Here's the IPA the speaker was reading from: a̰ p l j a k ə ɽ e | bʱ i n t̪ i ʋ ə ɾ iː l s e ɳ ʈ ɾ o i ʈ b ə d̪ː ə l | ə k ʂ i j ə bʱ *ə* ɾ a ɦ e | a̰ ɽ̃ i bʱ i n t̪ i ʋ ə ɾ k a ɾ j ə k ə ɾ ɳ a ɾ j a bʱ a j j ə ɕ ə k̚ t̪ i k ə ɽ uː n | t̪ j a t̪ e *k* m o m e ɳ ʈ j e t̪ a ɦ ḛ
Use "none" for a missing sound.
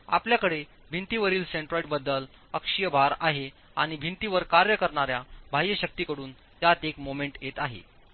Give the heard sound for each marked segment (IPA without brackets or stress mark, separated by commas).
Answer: a, k